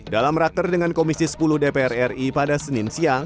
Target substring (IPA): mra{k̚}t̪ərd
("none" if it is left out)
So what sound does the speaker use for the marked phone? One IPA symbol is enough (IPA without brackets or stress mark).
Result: k̚